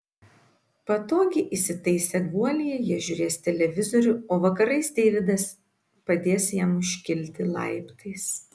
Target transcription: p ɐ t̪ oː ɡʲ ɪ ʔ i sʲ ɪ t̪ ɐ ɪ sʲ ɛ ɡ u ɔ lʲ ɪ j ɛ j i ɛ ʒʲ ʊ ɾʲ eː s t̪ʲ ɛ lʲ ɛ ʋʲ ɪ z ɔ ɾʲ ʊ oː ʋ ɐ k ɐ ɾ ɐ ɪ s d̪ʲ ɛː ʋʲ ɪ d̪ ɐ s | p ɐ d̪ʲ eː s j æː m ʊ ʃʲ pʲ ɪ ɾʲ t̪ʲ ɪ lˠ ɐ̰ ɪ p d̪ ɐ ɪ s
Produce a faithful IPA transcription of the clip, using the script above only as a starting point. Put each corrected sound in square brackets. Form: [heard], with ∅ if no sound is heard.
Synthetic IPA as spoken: p ɐ t̪ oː ɡʲ ɪ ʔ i sʲ ɪ t̪ ɐ ɪ sʲ ɛ ɡ u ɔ lʲ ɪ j ɛ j i ɛ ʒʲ ʊ ɾʲ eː s t̪ʲ ɛ lʲ ɛ ʋʲ ɪ z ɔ ɾʲ ʊ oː ʋ ɐ k ɐ ɾ ɐ ɪ s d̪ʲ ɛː ʋʲ ɪ d̪ ɐ s | p ɐ d̪ʲ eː s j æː m ʊ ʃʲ [kʲ] ɪ [lʲ] t̪ʲ ɪ lˠ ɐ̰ ɪ p [t̪] ɐ ɪ s